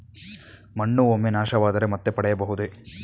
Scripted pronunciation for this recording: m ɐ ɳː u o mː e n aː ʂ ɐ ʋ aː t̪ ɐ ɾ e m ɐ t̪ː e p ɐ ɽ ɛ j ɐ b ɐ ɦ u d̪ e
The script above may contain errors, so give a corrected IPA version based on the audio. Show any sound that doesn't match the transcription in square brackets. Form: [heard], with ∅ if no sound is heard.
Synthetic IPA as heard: m ɐ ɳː u o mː e n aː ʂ ɐ ʋ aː [d̪] ɐ ɾ e m ɐ t̪ː e p ɐ ɽ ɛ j ɐ b ɐ ɦ u d̪ e